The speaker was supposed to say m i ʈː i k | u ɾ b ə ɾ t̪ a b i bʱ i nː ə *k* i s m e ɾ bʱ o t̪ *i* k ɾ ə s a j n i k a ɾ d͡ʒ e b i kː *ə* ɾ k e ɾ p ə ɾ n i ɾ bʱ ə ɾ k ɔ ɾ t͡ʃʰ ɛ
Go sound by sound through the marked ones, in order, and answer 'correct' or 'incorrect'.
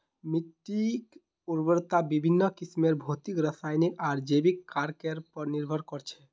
correct, correct, incorrect

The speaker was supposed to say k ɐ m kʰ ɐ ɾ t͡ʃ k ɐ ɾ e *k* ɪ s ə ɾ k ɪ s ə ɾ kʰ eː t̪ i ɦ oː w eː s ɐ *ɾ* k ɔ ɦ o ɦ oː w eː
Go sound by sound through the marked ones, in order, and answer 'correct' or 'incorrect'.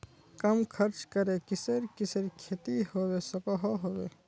correct, incorrect

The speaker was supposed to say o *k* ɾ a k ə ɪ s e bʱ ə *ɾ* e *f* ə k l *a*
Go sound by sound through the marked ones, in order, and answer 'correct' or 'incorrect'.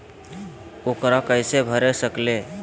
correct, correct, incorrect, incorrect

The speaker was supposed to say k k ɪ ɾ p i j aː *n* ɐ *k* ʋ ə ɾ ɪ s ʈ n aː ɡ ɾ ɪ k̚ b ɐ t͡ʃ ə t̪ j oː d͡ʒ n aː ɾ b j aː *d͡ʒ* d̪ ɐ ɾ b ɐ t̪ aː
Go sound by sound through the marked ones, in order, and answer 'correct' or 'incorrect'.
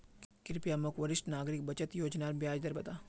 incorrect, correct, correct

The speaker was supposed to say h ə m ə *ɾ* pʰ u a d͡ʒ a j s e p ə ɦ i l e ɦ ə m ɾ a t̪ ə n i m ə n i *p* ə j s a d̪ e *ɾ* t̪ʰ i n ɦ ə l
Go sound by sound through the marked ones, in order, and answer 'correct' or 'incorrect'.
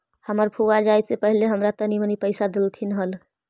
correct, correct, incorrect

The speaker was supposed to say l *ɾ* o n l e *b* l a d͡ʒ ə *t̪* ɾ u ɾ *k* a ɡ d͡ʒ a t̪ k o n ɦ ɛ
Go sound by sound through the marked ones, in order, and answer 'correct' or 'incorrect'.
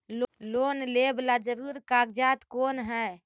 incorrect, correct, incorrect, correct

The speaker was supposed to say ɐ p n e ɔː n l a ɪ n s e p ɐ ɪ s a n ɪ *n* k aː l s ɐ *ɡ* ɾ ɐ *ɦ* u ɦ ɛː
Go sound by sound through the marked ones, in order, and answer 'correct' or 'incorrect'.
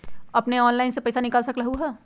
incorrect, incorrect, correct

